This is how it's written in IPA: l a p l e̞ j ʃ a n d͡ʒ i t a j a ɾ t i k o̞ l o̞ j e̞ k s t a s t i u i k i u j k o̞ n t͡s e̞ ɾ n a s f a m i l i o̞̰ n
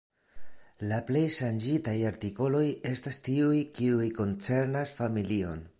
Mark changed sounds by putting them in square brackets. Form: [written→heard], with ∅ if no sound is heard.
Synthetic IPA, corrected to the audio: l a p l e̞ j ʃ a n d͡ʒ i t a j a ɾ t i k o̞ l o̞ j e̞ [k→∅] s t a s t i u [i→j] k i u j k o̞ n t͡s e̞ ɾ n a s f a m i l i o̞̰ n